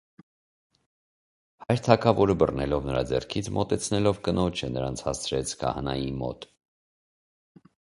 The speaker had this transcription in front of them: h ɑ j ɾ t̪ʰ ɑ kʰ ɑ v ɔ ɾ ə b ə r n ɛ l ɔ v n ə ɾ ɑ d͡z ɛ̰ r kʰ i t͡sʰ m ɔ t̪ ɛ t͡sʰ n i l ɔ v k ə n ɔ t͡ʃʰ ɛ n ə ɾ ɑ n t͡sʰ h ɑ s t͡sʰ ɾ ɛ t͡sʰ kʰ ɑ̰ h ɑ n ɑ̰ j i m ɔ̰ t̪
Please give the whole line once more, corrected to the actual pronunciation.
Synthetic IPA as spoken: h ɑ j ɾ t̪ʰ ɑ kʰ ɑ v ɔ ɾ ə b ə r n ɛ l ɔ v n ə ɾ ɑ d͡z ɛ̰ r kʰ i t͡sʰ m ɔ t̪ ɛ t͡sʰ n ɛ l ɔ v k ə n ɔ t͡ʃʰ ɛ n ə ɾ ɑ n t͡sʰ h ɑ s t͡sʰ ɾ ɛ t͡sʰ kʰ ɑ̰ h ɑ n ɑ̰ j i m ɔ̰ t̪